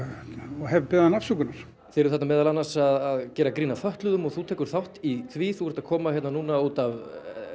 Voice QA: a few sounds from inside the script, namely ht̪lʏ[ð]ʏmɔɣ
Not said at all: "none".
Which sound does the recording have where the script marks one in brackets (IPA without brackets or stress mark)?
ð